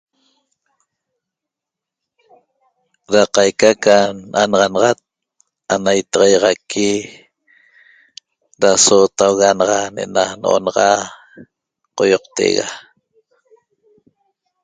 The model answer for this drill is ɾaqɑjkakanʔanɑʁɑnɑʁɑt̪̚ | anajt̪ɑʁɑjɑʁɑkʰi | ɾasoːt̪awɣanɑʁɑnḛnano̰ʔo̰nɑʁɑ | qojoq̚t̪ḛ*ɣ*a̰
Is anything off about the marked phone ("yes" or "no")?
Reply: no